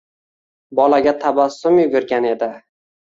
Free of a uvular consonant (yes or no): yes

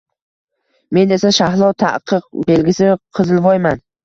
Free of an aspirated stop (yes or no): no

